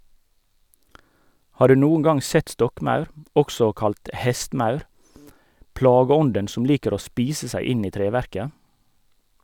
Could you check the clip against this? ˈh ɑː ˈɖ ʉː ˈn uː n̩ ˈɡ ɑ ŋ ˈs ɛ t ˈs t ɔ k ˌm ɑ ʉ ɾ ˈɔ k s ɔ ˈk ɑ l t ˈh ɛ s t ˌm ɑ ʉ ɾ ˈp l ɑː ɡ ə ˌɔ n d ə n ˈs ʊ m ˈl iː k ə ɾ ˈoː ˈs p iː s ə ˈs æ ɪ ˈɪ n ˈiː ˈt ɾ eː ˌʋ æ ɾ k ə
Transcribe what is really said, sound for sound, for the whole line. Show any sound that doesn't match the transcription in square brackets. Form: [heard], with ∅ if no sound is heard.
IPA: ˈh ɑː ˈɖ ʉː ˈn uː n̩ ˈɡ ɑ ŋ ˈs ɛ t ˈs t ɔ k ˌm ɑ ʉ ɾ ˈɔ k s ɔ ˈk ɑ l t ˈh ɛ s t ˌm ɑ ʉ ɾ ˈp l ɑː ɡ ə ˌɔ n d ə n ˈs ʊ m ˈl iː k ə ɾ ˈoː ˈs p iː s ə ˈs æ ɪ ˈɪ n ˈiː ˈt ɾ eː ˌʋ æ ɾ k ə